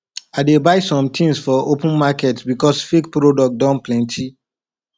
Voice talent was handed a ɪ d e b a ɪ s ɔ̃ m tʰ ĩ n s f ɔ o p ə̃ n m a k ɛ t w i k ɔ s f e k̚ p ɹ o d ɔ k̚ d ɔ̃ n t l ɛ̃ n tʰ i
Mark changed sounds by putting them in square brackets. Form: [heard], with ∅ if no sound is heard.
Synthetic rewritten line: a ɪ d e b a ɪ s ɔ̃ m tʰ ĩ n s f ɔ o p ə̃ n m a k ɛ t [b] i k ɔ s f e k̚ p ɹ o d ɔ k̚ d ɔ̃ n [p] l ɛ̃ n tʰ i